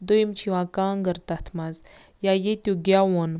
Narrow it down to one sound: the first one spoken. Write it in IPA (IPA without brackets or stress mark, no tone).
d̪